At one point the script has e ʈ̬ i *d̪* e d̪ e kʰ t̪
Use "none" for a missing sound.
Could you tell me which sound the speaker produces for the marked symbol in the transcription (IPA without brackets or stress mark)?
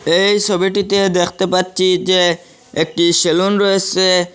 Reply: t̪